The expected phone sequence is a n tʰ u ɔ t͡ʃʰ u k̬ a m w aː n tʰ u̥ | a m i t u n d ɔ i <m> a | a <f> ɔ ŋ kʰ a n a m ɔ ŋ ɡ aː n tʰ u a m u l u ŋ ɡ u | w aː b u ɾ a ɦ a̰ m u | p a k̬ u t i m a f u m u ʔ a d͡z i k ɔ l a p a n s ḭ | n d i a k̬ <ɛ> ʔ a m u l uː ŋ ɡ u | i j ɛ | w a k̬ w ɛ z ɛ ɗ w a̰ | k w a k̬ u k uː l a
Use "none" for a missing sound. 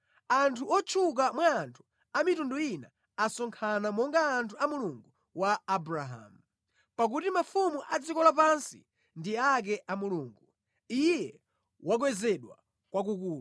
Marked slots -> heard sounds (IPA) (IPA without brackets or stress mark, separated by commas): n, s, ɛ